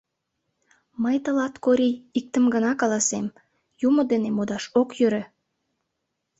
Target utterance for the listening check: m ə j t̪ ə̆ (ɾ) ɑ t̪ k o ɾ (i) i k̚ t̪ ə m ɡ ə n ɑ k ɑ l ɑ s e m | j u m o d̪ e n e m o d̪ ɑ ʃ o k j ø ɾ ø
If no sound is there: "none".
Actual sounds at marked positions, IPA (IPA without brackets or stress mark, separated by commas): l, i